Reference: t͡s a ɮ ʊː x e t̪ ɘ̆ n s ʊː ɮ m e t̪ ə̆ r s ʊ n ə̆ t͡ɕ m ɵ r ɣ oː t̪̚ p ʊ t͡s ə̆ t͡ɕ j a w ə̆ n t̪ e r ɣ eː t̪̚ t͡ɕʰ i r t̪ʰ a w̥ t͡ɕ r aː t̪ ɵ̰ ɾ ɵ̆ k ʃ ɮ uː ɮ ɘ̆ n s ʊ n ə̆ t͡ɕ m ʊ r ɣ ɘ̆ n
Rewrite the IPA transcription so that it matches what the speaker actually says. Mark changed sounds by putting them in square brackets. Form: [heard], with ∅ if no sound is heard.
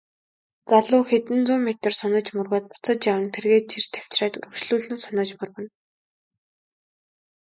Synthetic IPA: t͡s a ɮ ʊː x e t̪ ɘ̆ n [t͡s] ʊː [∅] m e t̪ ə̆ r s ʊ n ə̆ t͡ɕ m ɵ r ɣ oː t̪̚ p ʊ t͡s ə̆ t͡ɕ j a w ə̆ n [t̪ʰ] e r ɣ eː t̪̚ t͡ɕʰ i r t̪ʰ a w̥ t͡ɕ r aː t̪ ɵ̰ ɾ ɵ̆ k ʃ ɮ uː ɮ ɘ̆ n s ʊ n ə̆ t͡ɕ m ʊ r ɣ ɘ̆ n